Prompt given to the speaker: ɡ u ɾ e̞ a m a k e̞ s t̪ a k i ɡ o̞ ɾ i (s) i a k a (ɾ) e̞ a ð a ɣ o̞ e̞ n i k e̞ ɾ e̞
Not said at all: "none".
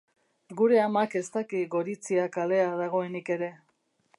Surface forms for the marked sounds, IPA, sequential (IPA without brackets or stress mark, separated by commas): t͡s, l